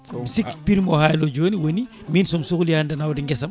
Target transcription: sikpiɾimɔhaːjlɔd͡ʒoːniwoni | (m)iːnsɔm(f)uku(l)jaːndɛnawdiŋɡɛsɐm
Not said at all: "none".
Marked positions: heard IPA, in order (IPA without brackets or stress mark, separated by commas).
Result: m, s, l